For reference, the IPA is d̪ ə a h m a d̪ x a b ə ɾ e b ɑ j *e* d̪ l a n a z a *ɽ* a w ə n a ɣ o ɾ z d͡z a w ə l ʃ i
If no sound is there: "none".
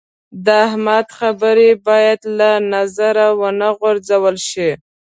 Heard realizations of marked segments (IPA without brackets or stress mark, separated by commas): a, ɾ